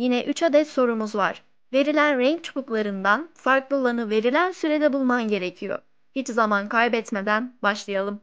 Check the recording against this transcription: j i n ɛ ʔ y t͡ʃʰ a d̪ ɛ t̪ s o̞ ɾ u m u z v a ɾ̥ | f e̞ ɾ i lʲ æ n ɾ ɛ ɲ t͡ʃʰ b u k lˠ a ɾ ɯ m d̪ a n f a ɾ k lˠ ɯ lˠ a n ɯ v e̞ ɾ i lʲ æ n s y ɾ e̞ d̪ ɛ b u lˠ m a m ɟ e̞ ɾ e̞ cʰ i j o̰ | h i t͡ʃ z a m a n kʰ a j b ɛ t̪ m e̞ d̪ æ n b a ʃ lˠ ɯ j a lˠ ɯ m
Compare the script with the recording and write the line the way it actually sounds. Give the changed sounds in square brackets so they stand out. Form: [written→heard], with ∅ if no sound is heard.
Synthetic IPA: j i n ɛ ʔ y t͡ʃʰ a d̪ ɛ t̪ s o̞ ɾ u m u z v a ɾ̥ | [f→v] e̞ ɾ i lʲ æ n ɾ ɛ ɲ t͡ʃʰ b u k lˠ a ɾ ɯ [m→n] d̪ a n f a ɾ k lˠ ɯ lˠ a n ɯ v e̞ ɾ i lʲ æ n s y ɾ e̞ d̪ ɛ b u lˠ m a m ɟ e̞ ɾ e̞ cʰ i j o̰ | h i t͡ʃ z a m a n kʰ a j b ɛ t̪ m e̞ d̪ æ n b a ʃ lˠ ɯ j a lˠ ɯ m